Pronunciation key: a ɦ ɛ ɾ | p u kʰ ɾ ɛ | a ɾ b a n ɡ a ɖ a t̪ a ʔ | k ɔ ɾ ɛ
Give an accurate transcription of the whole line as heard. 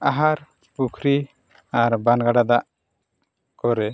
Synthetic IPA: a ɦ a ɾ | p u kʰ ɾ i | a ɾ b a n ɡ a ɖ a d̪ a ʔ | k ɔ ɾ ɛ